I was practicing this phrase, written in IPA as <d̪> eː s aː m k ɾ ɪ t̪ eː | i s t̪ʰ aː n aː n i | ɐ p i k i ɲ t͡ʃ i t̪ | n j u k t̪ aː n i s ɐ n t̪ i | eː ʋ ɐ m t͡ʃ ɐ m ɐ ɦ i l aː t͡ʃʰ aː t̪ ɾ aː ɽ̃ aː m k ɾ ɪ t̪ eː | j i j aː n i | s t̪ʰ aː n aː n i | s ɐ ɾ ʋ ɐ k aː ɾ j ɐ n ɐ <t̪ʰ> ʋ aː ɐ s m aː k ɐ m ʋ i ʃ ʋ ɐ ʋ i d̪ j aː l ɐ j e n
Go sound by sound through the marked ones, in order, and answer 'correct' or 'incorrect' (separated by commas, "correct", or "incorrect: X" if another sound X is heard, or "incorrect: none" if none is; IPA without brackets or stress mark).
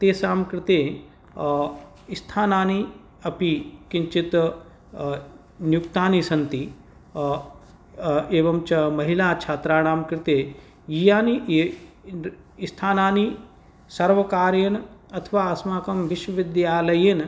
incorrect: t̪, correct